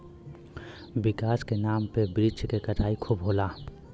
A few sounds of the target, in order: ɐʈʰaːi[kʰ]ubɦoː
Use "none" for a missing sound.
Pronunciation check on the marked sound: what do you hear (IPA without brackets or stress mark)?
kʰ